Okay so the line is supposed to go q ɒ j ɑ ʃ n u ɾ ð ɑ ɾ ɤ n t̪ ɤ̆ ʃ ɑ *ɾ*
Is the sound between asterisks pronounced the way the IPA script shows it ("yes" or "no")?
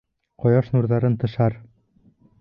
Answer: yes